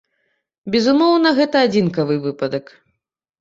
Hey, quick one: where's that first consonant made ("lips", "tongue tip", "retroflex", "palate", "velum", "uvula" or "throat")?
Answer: lips